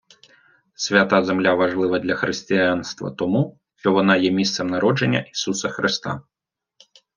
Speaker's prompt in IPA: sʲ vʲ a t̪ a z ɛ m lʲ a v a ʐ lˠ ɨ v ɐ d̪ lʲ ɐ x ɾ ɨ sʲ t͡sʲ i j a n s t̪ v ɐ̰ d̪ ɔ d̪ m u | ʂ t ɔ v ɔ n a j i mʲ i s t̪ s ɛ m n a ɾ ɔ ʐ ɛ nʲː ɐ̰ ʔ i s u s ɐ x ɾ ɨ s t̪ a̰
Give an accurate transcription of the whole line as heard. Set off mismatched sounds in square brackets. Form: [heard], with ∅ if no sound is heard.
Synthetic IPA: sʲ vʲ a t̪ a z ɛ m lʲ a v a ʐ lˠ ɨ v ɐ d̪ lʲ ɐ x ɾ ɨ sʲ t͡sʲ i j a n s t̪ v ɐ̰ [t̪] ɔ [∅] m u | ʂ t ɔ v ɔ n a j [ɛ] mʲ i s t̪ s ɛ m n a ɾ ɔ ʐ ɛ nʲː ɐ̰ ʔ i s u s ɐ x ɾ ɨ s t̪ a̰